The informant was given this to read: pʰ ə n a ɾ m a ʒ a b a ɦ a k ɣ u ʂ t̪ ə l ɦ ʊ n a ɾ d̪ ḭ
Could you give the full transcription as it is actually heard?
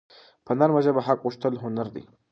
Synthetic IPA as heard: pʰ ə n a ɾ m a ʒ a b a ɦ a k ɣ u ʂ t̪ ə l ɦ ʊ n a ɾ d̪ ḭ